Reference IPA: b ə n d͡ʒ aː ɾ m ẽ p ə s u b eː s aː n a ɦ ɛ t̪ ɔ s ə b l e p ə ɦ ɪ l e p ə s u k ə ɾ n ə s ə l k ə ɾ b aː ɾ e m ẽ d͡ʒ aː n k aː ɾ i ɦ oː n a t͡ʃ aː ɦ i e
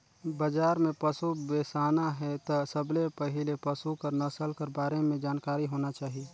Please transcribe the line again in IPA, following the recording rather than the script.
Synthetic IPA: b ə d͡ʒ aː ɾ m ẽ p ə s u b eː s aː n a ɦ ɛ t̪ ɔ s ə b l e p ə ɦ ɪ l e p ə s u k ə ɾ n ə s ə l k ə ɾ b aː ɾ e m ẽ d͡ʒ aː n k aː ɾ i ɦ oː n a t͡ʃ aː ɦ i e